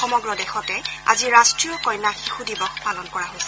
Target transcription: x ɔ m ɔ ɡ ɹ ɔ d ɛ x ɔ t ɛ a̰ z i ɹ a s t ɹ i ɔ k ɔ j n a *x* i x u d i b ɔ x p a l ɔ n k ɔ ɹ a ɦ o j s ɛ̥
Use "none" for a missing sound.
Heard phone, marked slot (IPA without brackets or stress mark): x